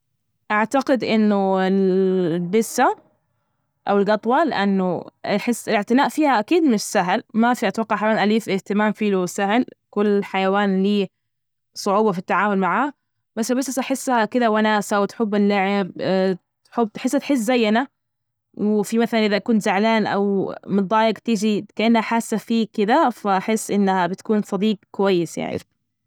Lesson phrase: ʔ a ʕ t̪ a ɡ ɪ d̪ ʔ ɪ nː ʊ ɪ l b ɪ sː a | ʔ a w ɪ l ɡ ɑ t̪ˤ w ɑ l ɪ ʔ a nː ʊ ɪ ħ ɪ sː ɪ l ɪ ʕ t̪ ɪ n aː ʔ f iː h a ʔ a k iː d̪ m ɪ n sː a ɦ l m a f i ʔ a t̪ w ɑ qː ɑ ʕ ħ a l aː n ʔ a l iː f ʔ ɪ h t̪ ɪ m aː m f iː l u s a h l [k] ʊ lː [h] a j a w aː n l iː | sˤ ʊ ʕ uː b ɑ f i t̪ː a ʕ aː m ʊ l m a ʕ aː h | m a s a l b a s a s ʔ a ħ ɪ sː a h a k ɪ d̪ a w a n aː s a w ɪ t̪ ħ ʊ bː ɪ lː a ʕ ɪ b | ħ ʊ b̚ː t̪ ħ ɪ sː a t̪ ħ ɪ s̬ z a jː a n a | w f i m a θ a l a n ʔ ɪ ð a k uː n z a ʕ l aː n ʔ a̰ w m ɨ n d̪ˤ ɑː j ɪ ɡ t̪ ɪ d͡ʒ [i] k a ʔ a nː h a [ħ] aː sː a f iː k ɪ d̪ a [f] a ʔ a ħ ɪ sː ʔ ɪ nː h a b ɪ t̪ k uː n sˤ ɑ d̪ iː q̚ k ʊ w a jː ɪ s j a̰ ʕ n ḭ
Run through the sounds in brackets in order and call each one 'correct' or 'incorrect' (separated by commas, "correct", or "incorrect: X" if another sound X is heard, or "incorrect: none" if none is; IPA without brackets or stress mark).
correct, incorrect: ħ, correct, correct, correct